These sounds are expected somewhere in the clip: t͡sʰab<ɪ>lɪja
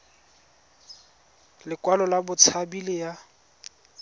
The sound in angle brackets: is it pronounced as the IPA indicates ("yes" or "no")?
no